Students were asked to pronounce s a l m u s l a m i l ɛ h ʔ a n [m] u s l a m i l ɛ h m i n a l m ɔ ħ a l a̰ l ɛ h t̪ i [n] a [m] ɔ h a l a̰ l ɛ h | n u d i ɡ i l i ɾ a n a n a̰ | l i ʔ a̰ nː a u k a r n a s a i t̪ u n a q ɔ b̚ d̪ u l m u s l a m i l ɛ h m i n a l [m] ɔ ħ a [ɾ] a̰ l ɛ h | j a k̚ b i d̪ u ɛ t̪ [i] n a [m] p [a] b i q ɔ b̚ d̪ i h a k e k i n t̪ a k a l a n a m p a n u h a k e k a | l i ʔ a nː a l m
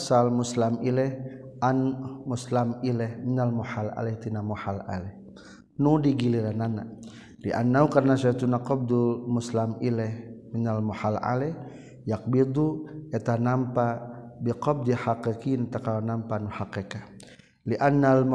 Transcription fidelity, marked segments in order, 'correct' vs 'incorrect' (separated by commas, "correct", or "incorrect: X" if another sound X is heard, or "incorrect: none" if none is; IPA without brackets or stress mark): correct, correct, correct, correct, incorrect: l, incorrect: a, correct, correct